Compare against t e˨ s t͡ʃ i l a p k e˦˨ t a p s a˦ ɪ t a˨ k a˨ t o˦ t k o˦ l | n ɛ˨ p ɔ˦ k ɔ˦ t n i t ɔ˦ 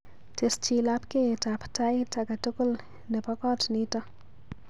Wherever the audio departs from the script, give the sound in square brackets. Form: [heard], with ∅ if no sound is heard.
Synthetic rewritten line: t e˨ s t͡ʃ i l a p k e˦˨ t a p [t] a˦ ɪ t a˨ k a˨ t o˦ [∅] k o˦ l | n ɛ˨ p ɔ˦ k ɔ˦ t n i t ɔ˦